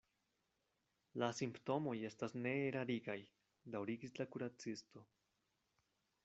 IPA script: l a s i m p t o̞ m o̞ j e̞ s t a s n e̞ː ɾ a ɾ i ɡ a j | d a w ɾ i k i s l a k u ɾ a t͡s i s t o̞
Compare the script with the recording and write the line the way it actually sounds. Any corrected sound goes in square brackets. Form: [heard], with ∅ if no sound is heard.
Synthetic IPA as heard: l a s i m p t o̞ m o̞ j e̞ s t a s n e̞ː ɾ a ɾ i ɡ a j | d a w ɾ i [ɡ] i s l a k u ɾ a t͡s i s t o̞